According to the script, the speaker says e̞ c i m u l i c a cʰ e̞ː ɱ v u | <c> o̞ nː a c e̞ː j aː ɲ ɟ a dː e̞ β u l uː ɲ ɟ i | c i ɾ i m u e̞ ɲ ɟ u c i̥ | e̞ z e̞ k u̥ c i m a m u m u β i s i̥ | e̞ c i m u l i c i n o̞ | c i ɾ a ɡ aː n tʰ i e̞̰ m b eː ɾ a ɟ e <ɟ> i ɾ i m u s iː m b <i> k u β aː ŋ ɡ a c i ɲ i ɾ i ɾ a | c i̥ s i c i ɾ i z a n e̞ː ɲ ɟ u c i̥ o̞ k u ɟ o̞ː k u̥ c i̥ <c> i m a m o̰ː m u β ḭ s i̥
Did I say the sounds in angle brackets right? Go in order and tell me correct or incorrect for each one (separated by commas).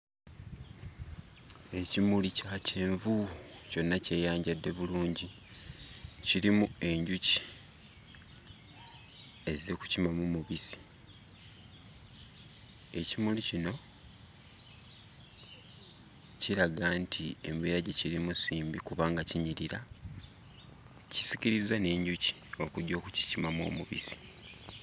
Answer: correct, incorrect, correct, correct